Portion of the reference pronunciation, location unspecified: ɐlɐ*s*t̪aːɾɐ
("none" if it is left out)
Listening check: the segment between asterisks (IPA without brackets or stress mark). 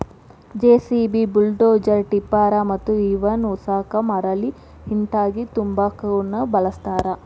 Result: s